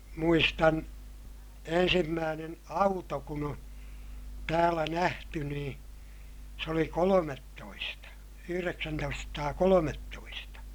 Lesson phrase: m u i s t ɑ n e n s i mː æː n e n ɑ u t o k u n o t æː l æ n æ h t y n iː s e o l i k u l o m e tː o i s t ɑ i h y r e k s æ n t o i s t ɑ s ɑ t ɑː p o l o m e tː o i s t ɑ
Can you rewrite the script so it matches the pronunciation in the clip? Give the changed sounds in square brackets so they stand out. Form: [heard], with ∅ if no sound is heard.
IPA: m u i s t ɑ n e n s i mː æː n e n ɑ u t o k u n o t æː l æ n æ h t y n iː s e o l i k [o] l o m e tː o i s t ɑ [y] h y r e k s æ n t o i s t ɑ s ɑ t ɑː [k] o l o m e tː o i s t ɑ